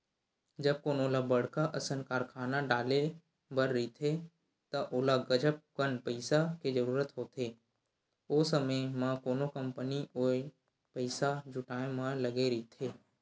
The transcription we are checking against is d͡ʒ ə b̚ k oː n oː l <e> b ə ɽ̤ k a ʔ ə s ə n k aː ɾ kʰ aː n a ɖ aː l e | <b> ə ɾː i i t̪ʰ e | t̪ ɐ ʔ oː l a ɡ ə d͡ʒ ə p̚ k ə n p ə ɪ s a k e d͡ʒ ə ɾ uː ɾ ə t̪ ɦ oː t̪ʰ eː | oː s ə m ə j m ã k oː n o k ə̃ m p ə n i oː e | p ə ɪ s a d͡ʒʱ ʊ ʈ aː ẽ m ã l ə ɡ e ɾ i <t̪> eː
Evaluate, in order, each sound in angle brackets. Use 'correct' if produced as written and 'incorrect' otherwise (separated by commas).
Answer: incorrect, correct, incorrect